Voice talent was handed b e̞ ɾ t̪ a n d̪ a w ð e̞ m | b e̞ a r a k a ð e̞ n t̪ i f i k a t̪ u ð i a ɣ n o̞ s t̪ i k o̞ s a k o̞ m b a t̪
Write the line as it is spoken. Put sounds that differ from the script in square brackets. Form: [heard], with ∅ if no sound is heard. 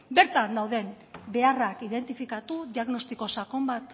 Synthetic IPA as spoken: b e̞ ɾ t̪ a n d̪ a w ð e̞ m | b e̞ a r a k [i] ð e̞ n t̪ i f i k a t̪ u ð i a ɣ n o̞ s t̪ i k o̞ s a k o̞ m b a t̪